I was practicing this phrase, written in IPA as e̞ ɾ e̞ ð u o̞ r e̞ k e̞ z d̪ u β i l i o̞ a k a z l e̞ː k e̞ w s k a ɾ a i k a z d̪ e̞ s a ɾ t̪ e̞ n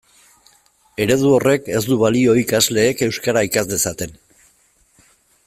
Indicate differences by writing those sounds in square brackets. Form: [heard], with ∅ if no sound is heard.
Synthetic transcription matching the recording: e̞ ɾ e̞ ð u o̞ r e̞ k e̞ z d̪ u β [a] l i o̞ [i] k a z l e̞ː k e̞ w s k a ɾ a i k a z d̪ e̞ s a [∅] t̪ e̞ n